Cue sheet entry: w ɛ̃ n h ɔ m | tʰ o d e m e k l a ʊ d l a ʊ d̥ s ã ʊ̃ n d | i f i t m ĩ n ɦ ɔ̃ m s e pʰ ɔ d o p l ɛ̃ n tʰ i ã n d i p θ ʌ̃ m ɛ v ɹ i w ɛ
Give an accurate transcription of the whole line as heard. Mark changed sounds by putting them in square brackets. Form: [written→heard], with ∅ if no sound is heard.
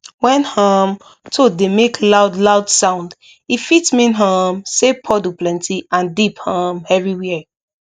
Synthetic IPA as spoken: w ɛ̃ n h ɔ m | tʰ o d e m e k l a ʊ d l a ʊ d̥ s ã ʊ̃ n d | i f i t m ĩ n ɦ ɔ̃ m s e pʰ ɔ d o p l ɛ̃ n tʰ i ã n d i p [θ→h] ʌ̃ m ɛ v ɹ i w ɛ